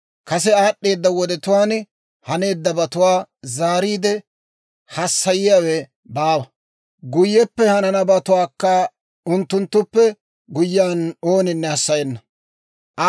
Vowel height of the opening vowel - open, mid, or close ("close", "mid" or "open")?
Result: open